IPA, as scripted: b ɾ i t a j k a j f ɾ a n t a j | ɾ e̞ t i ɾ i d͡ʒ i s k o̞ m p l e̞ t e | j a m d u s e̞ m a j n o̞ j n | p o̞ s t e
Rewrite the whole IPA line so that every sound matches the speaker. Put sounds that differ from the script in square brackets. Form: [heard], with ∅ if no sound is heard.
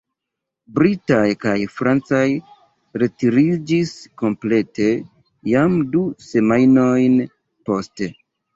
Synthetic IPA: b ɾ i t a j k a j f ɾ a n [t͡s] a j | ɾ e̞ t i ɾ i d͡ʒ i s k o̞ m p l e̞ t e | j a m d u s e̞ m a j n o̞ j n | p o̞ s t e

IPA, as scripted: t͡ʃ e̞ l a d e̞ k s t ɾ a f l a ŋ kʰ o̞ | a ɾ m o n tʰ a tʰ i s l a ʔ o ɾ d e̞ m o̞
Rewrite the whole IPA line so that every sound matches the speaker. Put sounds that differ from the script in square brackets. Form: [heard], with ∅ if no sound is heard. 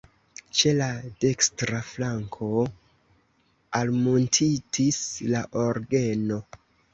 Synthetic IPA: t͡ʃ e̞ l a d e̞ k s t ɾ a f l a ŋ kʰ o̞ | a [l] m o n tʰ [i] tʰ i s l a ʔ o ɾ [ɡ] e̞ [n] o̞

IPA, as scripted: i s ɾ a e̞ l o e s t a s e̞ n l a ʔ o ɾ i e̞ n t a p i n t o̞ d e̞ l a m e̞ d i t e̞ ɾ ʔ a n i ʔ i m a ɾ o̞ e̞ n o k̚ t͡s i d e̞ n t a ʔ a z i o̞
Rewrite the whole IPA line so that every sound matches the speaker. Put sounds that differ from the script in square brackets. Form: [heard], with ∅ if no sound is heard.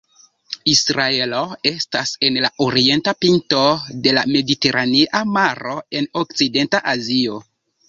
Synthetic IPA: i s ɾ a e̞ l o e s t a s e̞ n l a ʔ o ɾ i e̞ n t a p i n t o̞ d e̞ l a m e̞ d i t e̞ ɾ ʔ a n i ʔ [a] m a ɾ o̞ e̞ n o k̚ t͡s i d e̞ n t a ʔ a z i o̞

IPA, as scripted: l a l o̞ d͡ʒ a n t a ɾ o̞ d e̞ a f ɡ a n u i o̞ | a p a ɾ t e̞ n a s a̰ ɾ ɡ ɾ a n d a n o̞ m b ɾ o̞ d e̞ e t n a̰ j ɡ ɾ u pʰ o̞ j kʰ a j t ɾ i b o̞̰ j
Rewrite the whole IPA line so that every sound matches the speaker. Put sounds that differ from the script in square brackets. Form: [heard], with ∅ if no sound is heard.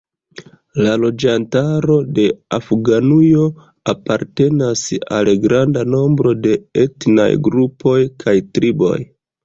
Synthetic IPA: l a l o̞ d͡ʒ a n t a ɾ o̞ d e̞ a f ɡ a n u [j] o̞ | a p a ɾ t e̞ n a s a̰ [l] ɡ ɾ a n d a n o̞ m b ɾ o̞ d e̞ e t n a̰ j ɡ ɾ u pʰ o̞ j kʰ a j t ɾ i b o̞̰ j

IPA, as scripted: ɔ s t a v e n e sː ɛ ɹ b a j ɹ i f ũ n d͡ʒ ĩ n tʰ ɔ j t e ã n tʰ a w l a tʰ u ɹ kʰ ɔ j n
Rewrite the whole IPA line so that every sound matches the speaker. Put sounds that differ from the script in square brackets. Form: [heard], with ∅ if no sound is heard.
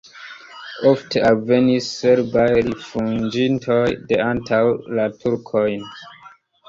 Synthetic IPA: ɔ [f] t a v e n [i] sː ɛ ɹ b a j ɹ i f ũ n d͡ʒ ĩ n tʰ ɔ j [d] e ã n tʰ a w l a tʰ u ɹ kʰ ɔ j n

